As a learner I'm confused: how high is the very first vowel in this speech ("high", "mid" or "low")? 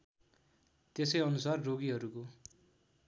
mid